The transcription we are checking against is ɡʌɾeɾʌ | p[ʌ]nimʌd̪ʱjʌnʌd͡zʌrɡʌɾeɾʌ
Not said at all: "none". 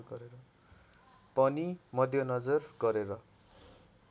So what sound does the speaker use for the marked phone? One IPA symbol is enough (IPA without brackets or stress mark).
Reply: ʌ